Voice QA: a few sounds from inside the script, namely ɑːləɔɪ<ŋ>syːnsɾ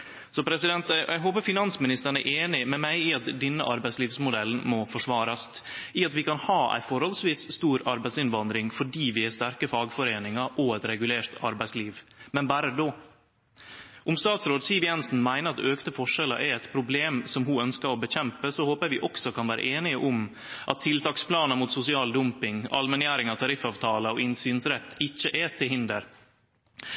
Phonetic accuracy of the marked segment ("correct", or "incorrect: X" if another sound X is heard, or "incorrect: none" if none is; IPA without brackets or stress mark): incorrect: n